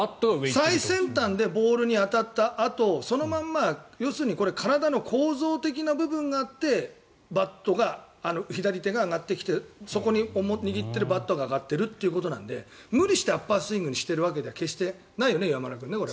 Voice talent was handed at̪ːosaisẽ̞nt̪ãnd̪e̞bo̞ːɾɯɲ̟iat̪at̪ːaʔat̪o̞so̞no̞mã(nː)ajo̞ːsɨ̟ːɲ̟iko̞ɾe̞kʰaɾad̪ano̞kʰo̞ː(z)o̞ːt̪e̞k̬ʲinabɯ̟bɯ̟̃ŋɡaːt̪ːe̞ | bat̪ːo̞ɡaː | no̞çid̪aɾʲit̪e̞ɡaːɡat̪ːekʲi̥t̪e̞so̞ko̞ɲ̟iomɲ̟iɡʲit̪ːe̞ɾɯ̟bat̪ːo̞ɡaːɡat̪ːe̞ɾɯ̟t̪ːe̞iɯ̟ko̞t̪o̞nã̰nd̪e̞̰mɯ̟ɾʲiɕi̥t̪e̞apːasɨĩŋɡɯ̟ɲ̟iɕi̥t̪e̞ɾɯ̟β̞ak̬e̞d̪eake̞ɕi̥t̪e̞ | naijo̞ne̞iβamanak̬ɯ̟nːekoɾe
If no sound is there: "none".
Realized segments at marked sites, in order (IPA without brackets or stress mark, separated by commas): mː, z